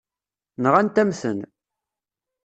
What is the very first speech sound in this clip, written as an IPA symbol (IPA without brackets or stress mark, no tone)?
n